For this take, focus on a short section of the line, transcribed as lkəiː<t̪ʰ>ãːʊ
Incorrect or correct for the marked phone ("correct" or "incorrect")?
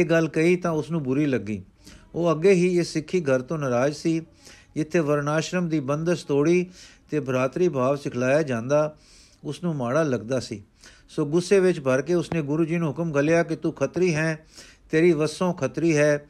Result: incorrect